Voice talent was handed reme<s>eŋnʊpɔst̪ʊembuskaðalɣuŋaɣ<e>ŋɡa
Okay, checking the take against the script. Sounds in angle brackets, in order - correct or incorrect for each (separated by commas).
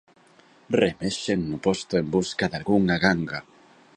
incorrect, incorrect